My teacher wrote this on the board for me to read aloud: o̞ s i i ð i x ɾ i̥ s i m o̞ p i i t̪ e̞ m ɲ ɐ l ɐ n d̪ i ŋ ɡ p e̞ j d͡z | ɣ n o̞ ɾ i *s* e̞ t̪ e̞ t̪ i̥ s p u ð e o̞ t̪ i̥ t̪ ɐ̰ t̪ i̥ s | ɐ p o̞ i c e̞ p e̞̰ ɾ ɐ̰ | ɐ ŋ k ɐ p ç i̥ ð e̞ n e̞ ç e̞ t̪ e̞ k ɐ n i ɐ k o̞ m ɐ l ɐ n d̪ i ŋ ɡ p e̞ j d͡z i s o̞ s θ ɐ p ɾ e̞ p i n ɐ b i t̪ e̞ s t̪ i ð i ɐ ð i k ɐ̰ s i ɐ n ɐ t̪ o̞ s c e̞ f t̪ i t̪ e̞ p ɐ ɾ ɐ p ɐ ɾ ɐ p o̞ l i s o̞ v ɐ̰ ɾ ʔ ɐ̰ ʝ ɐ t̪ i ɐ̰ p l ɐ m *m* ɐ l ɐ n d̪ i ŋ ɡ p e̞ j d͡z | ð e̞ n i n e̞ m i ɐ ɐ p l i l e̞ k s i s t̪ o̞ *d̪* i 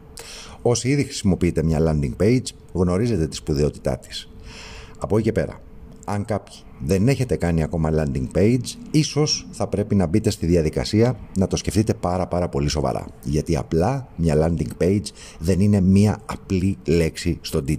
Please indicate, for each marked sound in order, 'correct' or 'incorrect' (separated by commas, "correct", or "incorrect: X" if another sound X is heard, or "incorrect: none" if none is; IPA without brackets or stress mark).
incorrect: z, incorrect: ɲ, correct